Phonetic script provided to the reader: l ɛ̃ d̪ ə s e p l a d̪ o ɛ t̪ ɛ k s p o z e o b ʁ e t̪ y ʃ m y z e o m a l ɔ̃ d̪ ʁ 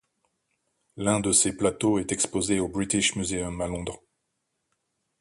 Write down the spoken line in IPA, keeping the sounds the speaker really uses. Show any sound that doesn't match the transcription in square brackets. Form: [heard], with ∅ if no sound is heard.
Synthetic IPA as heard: l ɛ̃ d̪ ə s e p l a [t̪] o ɛ t̪ ɛ k s p o z e o b ʁ [i] t̪ [i] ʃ m y z e [ɔ] m a l ɔ̃ d̪ ʁ